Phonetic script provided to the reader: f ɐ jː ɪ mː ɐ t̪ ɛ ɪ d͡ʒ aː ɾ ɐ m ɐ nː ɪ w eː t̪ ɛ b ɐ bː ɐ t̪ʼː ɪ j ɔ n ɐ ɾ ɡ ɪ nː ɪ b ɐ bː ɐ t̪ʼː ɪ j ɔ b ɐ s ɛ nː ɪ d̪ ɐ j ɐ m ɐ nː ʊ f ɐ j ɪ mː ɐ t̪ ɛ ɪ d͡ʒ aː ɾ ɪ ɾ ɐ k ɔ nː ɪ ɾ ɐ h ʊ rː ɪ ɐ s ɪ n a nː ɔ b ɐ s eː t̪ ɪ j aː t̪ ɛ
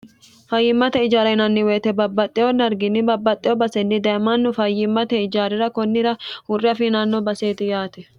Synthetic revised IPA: f ɐ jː ɪ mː ɐ t̪ ɛ ɪ d͡ʒ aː ɾ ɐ n ɐ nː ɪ w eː t̪ ɛ b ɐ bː ɐ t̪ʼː ɪ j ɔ n ɐ ɾ ɡ ɪ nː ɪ b ɐ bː ɐ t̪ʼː ɪ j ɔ b ɐ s ɛ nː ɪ d̪ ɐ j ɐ m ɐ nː ʊ f ɐ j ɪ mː ɐ t̪ ɛ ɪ d͡ʒ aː ɾ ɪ ɾ ɐ k ɔ nː ɪ ɾ ɐ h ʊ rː ɪ ɐ f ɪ n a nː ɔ b ɐ s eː t̪ ɪ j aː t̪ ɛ

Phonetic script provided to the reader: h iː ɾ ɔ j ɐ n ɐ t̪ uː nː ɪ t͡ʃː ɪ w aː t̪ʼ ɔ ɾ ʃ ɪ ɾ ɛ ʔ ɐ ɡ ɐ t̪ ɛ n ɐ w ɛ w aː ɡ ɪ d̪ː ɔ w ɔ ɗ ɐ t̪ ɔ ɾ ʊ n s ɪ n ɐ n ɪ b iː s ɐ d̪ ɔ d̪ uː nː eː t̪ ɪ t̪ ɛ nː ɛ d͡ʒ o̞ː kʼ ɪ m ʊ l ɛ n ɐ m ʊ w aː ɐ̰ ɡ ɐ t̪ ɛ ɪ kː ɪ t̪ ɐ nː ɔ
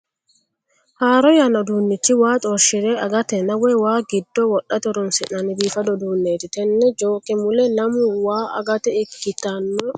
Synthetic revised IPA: h aː ɾ ɔ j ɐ n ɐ d̪ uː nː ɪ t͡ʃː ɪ w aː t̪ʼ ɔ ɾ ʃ ɪ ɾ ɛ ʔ ɐ ɡ ɐ t̪ ɛ n ɐ w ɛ w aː ɡ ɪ d̪ː ɔ w ɔ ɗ ɐ t̪ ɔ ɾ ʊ n s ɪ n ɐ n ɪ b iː f ɐ d̪ ɔ d̪ uː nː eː t̪ ɪ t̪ ɛ nː ɛ d͡ʒ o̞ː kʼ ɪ m ʊ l ɛ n ɐ m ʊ w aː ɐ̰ ɡ ɐ t̪ ɛ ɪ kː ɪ t̪ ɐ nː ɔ

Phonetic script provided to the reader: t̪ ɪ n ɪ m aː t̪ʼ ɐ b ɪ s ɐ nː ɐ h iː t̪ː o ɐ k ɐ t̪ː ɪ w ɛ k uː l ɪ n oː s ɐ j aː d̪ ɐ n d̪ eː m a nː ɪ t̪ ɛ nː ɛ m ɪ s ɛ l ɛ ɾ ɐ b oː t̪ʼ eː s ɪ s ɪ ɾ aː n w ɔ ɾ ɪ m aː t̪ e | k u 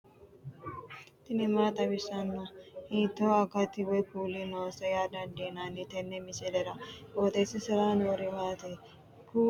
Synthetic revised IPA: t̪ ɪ n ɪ m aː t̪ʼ ɐ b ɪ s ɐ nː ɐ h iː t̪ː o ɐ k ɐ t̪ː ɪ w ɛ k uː l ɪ n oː s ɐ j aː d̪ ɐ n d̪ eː n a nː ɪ t̪ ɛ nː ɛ m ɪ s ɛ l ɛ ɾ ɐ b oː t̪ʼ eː s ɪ s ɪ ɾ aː n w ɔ ɾ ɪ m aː t̪ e | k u

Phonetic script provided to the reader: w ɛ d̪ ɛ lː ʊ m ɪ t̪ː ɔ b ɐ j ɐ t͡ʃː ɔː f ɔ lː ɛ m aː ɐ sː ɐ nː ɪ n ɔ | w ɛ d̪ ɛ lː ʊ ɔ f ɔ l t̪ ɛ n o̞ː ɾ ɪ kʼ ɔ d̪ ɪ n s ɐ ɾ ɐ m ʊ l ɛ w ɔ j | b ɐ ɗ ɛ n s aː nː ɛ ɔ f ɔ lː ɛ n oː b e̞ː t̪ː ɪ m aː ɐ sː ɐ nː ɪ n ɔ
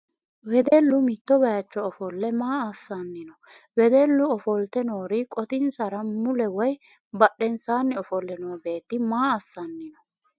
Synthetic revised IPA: w ɛ d̪ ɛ lː ʊ m ɪ t̪ː ɔ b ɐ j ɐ t͡ʃː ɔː f ɔ lː ɛ m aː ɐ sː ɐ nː ɪ n ɔ | w ɛ d̪ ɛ lː ʊ ɔ f ɔ l t̪ ɛ n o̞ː ɾ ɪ kʼ ɔ t̪ ɪ n s ɐ ɾ ɐ m ʊ l ɛ w ɔ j | b ɐ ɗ ɛ n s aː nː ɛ ɔ f ɔ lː ɛ n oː b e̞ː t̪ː ɪ m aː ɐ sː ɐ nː ɪ n ɔ

